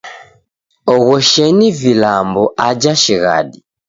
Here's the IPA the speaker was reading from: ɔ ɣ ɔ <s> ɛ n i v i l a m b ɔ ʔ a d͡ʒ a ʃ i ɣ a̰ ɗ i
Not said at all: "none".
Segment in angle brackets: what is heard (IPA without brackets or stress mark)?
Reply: ʃ